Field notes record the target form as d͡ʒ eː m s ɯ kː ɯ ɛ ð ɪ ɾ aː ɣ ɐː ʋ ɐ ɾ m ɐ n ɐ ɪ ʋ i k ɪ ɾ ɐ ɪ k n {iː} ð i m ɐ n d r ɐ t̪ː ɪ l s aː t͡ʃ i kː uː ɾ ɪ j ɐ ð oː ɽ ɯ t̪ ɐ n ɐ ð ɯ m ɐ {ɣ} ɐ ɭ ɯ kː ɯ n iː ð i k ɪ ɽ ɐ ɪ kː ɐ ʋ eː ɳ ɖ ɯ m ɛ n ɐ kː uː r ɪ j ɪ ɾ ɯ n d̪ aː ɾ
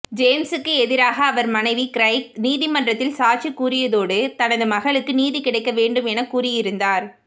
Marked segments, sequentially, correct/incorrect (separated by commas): correct, correct